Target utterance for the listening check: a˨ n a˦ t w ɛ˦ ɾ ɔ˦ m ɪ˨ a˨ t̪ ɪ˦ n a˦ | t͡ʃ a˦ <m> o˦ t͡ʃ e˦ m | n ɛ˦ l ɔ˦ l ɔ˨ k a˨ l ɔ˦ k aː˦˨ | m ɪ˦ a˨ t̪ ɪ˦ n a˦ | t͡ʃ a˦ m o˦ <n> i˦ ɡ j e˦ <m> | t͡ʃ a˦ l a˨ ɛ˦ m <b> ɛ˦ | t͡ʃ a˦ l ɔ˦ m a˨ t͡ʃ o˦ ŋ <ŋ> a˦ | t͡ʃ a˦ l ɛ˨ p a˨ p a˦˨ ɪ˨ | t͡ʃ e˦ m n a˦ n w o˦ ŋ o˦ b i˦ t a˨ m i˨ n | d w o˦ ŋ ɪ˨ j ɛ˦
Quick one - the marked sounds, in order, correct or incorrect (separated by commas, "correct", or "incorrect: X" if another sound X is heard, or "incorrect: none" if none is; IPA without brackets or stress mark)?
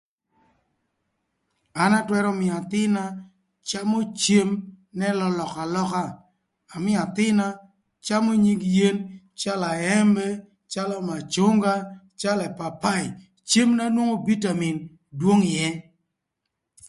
correct, incorrect: ɲ, incorrect: n, correct, incorrect: ɡ